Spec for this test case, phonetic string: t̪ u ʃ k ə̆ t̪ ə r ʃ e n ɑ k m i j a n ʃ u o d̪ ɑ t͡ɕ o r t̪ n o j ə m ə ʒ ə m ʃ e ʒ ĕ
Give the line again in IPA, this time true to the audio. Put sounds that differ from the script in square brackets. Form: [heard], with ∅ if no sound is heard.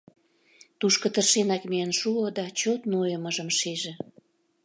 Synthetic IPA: t̪ u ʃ k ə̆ t̪ ə r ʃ e n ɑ k m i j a n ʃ u o d̪ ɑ t͡ɕ o [∅] t̪ n o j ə m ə ʒ ə m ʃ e ʒ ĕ